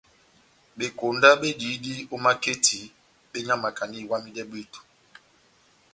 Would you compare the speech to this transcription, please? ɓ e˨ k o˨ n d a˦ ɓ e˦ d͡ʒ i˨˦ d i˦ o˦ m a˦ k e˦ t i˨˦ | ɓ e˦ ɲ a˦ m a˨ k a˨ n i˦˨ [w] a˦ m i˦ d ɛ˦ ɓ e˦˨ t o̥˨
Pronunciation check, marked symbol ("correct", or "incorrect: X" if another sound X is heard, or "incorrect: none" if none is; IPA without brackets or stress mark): correct